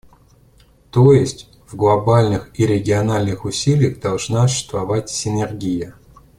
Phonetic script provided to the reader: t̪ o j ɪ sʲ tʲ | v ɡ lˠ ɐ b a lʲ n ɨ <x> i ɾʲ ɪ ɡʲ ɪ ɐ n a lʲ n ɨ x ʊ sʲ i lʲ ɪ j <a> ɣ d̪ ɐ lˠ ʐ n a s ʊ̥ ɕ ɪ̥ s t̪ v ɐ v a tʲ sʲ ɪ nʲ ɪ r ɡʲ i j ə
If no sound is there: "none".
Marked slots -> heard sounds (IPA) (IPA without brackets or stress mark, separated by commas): x, ə